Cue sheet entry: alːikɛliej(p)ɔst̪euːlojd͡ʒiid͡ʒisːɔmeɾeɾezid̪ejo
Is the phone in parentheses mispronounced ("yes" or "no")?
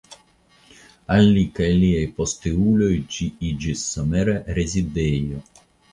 no